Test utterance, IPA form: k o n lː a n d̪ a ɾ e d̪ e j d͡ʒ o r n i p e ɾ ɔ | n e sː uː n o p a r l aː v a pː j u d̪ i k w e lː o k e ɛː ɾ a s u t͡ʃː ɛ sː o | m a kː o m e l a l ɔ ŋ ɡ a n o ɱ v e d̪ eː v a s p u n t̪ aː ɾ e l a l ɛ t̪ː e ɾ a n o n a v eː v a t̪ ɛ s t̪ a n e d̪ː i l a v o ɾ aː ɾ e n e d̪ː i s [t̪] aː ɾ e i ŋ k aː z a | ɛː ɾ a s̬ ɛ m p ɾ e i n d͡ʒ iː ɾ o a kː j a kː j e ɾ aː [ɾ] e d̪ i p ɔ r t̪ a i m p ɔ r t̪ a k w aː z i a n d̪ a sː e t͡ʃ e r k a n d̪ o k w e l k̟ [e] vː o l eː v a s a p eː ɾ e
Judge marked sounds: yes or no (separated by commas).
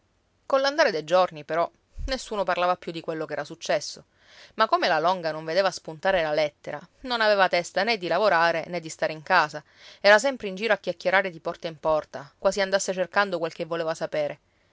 yes, yes, yes